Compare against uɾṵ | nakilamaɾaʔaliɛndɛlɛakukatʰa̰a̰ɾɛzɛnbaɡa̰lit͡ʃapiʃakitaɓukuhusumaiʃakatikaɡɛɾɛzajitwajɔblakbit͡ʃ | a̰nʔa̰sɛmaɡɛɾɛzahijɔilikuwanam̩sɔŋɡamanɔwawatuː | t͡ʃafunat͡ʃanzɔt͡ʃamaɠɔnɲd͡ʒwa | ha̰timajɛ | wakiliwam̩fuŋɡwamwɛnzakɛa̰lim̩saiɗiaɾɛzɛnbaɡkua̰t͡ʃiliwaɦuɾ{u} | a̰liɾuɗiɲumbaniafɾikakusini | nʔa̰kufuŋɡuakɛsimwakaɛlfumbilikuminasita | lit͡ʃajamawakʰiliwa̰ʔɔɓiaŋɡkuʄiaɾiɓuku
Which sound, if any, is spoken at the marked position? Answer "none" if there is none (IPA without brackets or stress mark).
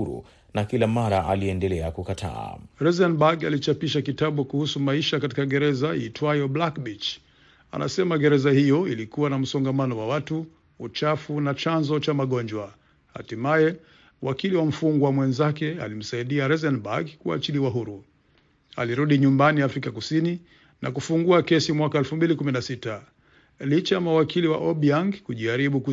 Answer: u